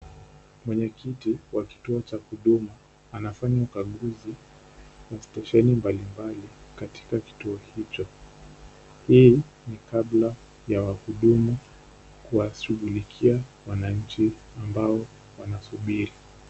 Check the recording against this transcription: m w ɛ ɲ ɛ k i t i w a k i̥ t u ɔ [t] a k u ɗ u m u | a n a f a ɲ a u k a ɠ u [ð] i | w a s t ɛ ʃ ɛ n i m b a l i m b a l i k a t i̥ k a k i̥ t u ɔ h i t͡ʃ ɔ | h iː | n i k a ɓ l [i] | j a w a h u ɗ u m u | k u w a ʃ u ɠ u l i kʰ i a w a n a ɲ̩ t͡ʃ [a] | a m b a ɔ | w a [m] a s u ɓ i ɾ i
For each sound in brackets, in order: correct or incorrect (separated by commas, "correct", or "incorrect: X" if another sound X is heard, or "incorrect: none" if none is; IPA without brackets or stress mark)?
incorrect: t͡ʃ, incorrect: z, incorrect: a, incorrect: i, incorrect: n